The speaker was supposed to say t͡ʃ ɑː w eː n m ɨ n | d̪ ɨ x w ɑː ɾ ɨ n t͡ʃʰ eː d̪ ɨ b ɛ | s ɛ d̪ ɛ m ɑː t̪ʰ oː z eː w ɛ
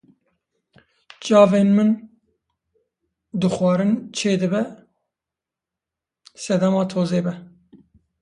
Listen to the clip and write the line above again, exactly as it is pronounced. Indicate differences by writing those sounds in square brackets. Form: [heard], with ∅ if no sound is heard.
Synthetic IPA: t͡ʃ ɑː [v] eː n m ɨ n | d̪ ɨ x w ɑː ɾ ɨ n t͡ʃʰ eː d̪ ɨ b ɛ | s ɛ d̪ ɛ m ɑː t̪ʰ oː z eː [b] ɛ